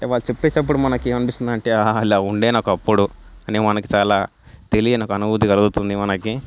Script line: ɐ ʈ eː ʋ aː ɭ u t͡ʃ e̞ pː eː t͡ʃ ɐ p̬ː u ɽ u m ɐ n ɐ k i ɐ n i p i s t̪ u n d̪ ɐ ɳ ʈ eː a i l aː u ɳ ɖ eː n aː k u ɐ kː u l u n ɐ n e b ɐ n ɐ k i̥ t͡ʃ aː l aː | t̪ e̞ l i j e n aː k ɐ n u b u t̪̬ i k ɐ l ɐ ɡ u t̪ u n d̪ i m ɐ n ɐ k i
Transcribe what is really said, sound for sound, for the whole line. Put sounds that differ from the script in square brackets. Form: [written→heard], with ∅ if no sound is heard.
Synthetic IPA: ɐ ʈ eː ʋ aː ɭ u t͡ʃ e̞ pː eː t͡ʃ ɐ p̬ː u ɽ u m ɐ n ɐ k i ɐ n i p i s t̪ u n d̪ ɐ ɳ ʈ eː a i l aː u ɳ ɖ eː n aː k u ɐ [kː→pː] u [l→ɽ] u [n→∅] ɐ n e [b→m] ɐ n ɐ k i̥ t͡ʃ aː l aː | t̪ e̞ l i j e n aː k ɐ n u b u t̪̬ i k ɐ l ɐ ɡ u t̪ u n d̪ i m ɐ n ɐ k i